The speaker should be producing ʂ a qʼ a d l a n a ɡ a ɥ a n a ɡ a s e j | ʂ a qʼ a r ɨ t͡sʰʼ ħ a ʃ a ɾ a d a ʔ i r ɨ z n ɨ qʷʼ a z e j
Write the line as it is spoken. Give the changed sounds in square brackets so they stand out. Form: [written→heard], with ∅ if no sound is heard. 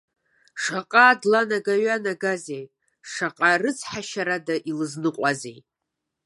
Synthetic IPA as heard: ʂ a qʼ a d l a n a ɡ a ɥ a n a ɡ a [s→z] e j | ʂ a qʼ a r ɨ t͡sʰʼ ħ a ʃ a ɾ a d a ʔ i [r→l] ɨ z n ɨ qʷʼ a z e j